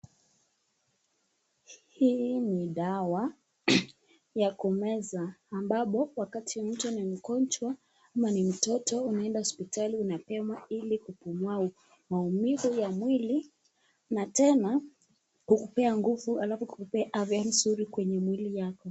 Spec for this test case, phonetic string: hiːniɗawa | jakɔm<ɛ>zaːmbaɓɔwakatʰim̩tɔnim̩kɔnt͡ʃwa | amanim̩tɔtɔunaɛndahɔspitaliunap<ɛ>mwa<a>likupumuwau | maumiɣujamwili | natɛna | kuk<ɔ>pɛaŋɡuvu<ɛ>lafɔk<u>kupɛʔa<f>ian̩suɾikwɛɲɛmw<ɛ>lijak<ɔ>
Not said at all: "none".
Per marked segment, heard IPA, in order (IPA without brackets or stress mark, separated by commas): ɛ, ɛ, i, u, a, u, v, i, ɔ